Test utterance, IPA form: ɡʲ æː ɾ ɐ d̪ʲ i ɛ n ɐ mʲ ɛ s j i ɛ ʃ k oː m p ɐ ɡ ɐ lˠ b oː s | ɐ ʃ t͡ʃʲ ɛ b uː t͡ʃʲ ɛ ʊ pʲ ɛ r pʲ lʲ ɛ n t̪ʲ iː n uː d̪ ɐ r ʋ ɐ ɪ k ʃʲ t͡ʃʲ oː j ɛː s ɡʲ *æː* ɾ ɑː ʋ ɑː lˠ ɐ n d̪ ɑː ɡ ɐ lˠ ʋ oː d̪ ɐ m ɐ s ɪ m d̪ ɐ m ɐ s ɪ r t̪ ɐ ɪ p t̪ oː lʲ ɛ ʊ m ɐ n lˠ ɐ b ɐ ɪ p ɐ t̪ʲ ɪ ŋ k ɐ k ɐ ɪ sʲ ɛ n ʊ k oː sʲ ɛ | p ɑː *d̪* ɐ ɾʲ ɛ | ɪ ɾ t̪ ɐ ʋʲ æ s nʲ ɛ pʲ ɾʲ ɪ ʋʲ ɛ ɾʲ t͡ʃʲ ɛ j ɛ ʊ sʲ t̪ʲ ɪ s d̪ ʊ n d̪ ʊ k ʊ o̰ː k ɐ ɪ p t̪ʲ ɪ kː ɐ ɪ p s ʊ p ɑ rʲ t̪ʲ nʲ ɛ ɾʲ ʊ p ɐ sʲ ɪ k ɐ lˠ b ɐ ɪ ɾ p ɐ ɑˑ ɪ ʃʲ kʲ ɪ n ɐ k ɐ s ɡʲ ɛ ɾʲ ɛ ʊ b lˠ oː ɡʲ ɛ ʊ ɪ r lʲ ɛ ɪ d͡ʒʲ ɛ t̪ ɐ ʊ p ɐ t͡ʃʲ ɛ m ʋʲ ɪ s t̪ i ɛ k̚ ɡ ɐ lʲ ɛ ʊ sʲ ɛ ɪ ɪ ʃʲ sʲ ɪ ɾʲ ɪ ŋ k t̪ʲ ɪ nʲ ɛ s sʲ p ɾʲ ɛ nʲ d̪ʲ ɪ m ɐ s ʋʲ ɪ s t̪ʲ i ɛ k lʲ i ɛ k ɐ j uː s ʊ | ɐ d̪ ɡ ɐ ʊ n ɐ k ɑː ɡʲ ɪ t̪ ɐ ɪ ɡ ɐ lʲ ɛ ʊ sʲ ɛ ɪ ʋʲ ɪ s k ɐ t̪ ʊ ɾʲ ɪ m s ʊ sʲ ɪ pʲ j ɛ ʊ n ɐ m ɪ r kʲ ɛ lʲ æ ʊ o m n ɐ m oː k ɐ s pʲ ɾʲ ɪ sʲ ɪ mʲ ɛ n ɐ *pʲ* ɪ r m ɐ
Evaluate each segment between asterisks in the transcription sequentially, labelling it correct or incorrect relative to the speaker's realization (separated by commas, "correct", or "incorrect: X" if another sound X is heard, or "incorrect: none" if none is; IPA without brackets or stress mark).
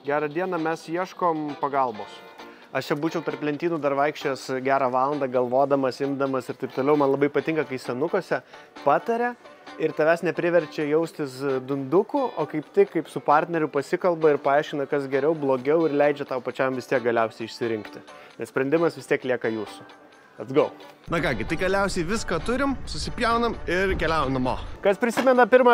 correct, incorrect: t̪, correct